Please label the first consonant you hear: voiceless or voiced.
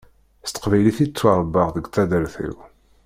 voiceless